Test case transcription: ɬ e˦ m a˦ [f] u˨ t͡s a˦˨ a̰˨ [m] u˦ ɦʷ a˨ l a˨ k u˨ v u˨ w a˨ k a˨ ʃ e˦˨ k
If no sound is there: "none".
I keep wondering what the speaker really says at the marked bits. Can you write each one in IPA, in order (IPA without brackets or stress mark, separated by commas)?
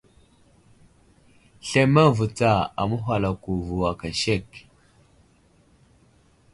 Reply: v, m